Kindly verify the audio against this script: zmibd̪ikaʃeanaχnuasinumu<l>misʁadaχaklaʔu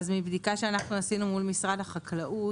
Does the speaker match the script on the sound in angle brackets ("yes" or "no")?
yes